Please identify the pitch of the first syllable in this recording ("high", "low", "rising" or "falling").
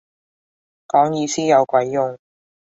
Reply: rising